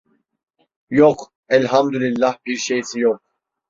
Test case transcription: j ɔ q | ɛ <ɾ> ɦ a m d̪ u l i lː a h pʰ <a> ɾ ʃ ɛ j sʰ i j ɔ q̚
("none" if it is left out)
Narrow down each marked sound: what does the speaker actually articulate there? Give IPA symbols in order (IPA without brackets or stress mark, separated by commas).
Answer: l, i